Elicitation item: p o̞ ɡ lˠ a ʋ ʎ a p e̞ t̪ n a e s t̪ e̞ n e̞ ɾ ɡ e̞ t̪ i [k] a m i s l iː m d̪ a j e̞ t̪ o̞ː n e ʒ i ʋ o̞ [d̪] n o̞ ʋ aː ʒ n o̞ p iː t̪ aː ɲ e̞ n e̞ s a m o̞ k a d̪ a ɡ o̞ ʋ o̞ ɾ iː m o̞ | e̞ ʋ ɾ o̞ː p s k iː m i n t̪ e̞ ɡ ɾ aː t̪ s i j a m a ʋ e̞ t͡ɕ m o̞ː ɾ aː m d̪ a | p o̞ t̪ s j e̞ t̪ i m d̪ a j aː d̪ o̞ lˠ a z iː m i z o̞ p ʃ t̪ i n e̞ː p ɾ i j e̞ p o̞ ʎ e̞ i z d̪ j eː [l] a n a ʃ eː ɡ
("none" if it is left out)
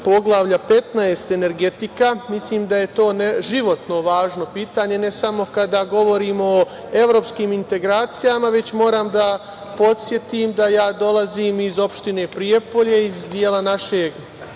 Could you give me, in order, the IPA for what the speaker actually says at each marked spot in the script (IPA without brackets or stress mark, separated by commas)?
k, t̪, l